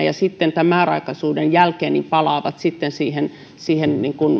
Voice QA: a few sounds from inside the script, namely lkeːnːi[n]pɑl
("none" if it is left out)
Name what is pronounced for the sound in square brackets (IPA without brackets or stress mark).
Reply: m